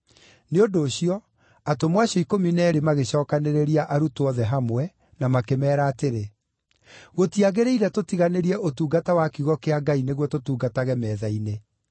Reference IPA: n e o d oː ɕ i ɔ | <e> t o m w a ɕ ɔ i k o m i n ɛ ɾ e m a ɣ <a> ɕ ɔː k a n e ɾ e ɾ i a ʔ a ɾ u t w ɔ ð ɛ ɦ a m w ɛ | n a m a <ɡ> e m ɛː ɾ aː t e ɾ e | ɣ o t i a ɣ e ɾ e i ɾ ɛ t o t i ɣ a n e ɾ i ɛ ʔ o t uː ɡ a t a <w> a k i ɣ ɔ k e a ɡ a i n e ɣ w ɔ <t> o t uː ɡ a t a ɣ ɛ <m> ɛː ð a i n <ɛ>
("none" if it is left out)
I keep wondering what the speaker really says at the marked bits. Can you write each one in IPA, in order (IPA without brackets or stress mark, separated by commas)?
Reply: a, e, k, w, t, m, e